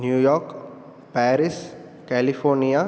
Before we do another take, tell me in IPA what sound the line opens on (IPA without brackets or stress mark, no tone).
n